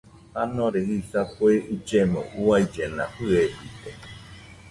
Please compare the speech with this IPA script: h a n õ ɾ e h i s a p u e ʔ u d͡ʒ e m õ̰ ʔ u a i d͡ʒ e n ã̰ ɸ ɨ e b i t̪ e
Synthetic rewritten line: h a n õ ɾ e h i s a p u e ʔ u d͡ʒ e m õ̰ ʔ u a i d͡ʒ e n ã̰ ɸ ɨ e b i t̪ e